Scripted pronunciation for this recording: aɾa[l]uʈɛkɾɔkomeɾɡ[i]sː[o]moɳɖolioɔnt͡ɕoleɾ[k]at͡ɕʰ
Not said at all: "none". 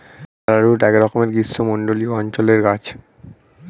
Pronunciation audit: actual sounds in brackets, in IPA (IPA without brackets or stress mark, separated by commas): ɾ, i, o, ɡ